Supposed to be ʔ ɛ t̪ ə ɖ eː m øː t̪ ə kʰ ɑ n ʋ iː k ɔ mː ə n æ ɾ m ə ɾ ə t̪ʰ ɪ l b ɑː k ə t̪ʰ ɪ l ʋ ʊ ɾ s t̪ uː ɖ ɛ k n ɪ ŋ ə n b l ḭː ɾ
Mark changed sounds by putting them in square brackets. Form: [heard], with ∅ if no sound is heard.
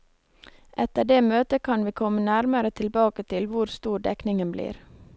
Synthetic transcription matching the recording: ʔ ɛ t̪ ə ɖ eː m øː t̪ ə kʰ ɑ n ʋ iː [kʰ] ɔ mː ə n æ ɾ m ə ɾ ə t̪ʰ ɪ l b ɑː k ə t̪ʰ ɪ l ʋ ʊ ɾ s t̪ uː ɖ ɛ k n ɪ ŋ ə n b l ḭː ɾ